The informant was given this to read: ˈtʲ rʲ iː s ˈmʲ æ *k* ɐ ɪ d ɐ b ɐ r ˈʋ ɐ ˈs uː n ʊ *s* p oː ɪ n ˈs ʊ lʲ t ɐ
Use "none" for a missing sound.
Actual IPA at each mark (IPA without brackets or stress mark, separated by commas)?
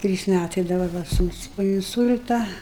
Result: t, s